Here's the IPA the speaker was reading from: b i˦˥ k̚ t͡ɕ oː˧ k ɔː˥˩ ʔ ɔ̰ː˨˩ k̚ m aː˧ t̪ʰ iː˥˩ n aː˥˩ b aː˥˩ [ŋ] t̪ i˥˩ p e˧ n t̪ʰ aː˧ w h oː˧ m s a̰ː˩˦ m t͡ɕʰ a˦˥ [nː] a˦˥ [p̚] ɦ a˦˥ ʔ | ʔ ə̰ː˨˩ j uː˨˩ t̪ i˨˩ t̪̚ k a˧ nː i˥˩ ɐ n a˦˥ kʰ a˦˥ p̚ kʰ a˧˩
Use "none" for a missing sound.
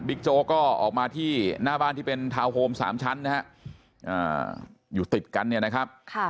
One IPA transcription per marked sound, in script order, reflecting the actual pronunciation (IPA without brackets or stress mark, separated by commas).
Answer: n, nː, none